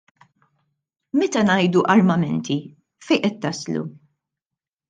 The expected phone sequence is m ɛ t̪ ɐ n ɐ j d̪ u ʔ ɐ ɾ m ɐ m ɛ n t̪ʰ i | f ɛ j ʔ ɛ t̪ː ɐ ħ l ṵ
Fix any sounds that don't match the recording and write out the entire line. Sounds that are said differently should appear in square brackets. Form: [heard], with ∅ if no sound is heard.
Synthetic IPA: m ɛ t̪ ɐ n ɐ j d̪ u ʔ ɐ ɾ m ɐ m ɛ n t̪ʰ i | f ɛ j ʔ ɛ t̪ː ɐ [s] l ṵ